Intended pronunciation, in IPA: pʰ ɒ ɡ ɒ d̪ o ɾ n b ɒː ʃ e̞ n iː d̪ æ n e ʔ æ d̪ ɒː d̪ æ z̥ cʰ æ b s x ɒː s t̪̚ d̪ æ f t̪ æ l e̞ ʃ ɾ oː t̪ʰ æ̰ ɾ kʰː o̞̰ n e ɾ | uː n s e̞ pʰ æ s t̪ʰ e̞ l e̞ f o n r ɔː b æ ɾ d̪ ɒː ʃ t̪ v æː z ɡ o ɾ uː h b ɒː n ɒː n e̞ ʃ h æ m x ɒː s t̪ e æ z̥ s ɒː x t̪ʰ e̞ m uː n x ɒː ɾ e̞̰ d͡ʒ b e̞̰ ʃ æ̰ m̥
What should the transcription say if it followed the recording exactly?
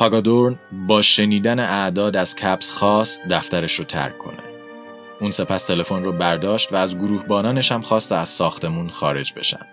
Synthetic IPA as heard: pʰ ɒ ɡ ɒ d̪ o ɾ n b ɒː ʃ e̞ n iː d̪ æ n e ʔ æ d̪ ɒː d̪ æ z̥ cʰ æ b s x ɒː s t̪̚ d̪ æ f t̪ æ ɾ e̞ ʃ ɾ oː t̪ʰ æ̰ ɾ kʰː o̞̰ n e | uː n s e̞ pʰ æ s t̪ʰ e̞ l e̞ f o n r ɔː b æ ɾ d̪ ɒː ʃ t̪ v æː z ɡ o ɾ uː h b ɒː n ɒː n e̞ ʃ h æ m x ɒː s t̪ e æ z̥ s ɒː x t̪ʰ e̞ m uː n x ɒː ɾ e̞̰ d͡ʒ b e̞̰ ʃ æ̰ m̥